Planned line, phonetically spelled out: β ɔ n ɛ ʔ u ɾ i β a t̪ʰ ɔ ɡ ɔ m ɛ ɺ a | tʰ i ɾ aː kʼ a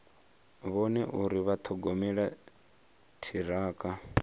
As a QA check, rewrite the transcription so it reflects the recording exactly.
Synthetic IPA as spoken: β ɔ n ɛ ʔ u ɾ i β a t̪ʰ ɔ ɡ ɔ m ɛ ɺ a | tʰ i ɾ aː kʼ a